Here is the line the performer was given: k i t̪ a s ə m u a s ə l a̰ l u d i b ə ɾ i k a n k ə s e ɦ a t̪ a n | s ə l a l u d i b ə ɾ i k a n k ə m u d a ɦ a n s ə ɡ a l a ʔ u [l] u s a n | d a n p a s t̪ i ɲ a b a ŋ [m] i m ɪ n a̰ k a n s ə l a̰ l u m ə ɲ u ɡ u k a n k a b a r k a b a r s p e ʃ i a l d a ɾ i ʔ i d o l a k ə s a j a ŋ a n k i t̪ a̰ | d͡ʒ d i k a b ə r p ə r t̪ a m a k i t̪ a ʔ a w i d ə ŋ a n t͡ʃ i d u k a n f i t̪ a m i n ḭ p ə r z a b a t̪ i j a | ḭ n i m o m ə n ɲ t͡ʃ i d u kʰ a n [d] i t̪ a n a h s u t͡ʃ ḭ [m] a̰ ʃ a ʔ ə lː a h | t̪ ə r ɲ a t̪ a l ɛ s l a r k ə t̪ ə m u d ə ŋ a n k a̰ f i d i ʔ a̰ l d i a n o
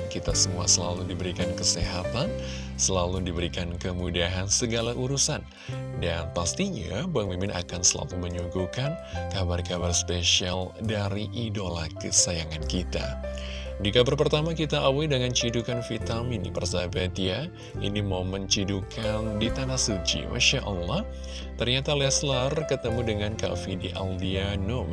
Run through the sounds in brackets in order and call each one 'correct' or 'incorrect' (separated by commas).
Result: incorrect, correct, correct, correct